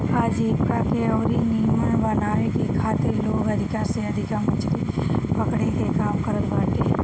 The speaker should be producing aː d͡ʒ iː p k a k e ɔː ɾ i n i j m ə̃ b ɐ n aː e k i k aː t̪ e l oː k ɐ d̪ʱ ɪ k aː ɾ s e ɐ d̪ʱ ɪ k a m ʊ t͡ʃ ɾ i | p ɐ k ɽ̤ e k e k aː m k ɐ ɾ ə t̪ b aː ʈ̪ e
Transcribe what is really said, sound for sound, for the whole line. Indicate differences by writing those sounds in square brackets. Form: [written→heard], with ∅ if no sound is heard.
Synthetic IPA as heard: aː d͡ʒ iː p k a k e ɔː ɾ i n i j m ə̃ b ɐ n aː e k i [k→kʰ] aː t̪ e l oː [k→ɡ] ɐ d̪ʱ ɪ k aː ɾ s e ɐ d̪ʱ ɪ k a m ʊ t͡ʃ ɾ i | p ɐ k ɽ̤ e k e k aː m k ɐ ɾ ə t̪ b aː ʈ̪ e